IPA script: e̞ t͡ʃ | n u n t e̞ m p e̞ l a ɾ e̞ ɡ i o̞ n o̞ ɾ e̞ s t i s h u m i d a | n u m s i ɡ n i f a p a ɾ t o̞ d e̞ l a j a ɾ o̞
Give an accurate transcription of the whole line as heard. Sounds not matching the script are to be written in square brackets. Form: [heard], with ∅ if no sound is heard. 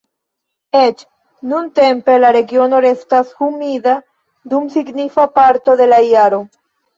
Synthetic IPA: e̞ t͡ʃ | n u n t e̞ m p e̞ l a ɾ e̞ ɡ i o̞ n o̞ ɾ e̞ s t [a] s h u m i d a | [d] u m s i ɡ n i f a p a ɾ t o̞ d e̞ l a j a ɾ o̞